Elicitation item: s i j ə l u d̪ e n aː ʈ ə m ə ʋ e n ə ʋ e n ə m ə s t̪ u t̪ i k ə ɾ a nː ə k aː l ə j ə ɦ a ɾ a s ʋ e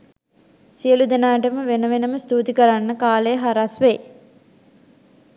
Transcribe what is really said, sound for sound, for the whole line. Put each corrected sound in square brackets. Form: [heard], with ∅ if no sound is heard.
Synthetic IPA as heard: s i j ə l u d̪ e n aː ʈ ə m ə ʋ e n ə ʋ e n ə m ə s t̪ u t̪ i k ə ɾ a nː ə k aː l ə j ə ɦ a ɾ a s ʋ e